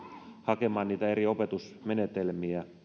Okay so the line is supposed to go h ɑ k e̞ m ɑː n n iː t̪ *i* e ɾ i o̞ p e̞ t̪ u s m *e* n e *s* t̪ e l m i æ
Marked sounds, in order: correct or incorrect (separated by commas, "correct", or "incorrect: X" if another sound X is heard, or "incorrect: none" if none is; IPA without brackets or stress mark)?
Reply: incorrect: æ, correct, incorrect: none